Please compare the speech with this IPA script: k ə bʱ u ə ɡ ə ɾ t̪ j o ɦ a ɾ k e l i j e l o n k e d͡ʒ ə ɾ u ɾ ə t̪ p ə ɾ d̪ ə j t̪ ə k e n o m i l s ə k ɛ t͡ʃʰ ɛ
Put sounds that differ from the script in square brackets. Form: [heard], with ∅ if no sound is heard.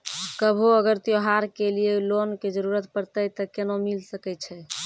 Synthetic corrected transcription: k ə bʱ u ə ɡ ə ɾ t̪ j o ɦ a ɾ k e l i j e l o n k e d͡ʒ ə ɾ u ɾ ə t̪ p ə ɾ [t̪] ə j t̪ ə k e n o m i l s ə k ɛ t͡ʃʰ ɛ